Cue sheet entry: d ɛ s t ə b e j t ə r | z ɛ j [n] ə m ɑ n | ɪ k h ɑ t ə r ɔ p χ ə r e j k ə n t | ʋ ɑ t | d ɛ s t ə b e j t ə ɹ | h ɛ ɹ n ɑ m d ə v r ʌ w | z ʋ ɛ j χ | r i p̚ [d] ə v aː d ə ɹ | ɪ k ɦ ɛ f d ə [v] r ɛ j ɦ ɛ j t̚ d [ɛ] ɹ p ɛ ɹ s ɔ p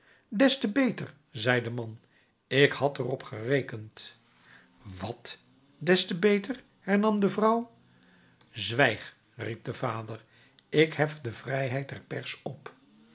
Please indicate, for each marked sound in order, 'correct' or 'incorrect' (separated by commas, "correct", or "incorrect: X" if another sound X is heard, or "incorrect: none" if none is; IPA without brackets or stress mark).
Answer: incorrect: d, correct, correct, correct